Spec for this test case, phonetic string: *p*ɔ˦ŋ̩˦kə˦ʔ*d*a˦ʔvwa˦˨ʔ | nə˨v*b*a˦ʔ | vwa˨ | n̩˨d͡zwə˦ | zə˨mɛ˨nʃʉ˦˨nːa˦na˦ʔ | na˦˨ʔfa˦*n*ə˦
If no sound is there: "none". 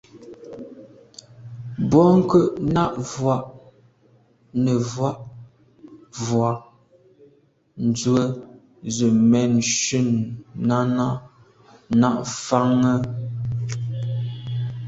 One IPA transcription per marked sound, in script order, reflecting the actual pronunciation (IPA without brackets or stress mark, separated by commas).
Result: b, n, w, ŋ